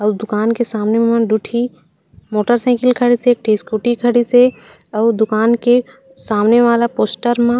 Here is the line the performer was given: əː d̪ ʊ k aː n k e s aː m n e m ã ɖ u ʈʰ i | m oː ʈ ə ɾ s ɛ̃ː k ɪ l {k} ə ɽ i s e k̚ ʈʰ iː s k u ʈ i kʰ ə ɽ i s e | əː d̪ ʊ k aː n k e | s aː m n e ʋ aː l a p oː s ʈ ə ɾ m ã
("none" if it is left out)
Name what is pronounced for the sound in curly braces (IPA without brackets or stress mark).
kʰ